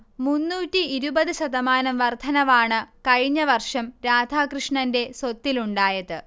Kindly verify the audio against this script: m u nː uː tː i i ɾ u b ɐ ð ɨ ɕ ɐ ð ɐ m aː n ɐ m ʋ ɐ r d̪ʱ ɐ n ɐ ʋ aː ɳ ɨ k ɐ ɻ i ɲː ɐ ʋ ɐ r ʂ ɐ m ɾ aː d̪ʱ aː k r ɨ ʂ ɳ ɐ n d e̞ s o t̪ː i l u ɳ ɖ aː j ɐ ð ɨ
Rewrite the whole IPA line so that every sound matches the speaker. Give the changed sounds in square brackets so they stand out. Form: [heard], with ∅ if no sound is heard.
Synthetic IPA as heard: m u nː uː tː i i ɾ u b ɐ ð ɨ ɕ ɐ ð ɐ m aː n ɐ m ʋ ɐ r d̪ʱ ɐ n ɐ ʋ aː ɳ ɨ k ɐ ɻ i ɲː ɐ ʋ ɐ r ʂ ɐ m ɾ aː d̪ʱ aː k r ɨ ʂ ɳ ɐ n d e̞ s o t̪ː i l u ɳ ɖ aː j ɐ ð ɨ